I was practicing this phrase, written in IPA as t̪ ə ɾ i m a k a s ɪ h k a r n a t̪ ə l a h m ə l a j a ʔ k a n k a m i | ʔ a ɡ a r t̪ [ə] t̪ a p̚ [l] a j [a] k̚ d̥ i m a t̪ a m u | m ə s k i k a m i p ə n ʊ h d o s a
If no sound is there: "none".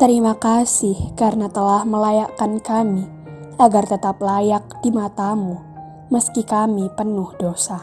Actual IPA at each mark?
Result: ə, l, a

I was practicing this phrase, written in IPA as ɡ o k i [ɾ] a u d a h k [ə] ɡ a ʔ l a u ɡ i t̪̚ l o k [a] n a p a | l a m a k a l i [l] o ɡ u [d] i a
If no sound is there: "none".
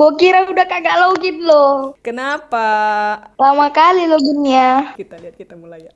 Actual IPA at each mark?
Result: ɾ, a, ə, l, n

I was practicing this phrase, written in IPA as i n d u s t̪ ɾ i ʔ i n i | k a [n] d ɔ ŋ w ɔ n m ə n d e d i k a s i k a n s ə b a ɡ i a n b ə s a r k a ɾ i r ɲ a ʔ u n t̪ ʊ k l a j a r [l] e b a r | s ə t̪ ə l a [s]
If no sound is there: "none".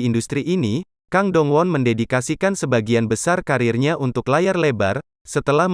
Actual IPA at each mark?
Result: ŋ, l, h

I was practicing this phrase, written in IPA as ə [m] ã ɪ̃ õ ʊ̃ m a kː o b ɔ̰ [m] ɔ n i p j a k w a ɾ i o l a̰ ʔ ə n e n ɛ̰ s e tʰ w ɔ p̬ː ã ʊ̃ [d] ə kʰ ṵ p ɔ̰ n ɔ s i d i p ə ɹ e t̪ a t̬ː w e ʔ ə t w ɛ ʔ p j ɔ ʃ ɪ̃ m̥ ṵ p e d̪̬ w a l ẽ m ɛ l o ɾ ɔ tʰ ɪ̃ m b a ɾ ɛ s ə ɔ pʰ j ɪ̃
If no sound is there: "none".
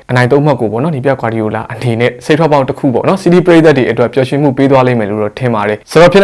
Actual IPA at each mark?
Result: n, n, t

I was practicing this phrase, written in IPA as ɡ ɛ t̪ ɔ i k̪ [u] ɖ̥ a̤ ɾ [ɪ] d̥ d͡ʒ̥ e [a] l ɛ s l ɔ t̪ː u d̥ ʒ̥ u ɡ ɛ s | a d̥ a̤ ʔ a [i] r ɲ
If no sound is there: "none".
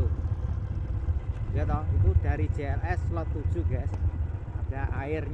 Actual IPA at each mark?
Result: u, i, ɛ, ɪ

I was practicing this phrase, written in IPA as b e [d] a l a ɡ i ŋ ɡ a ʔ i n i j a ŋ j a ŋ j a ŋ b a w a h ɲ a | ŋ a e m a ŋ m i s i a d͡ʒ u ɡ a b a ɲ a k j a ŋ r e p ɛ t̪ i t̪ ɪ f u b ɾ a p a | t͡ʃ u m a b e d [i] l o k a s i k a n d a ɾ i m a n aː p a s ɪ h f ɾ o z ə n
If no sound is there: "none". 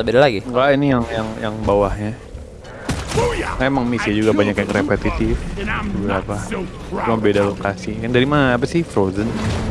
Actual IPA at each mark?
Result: d, a

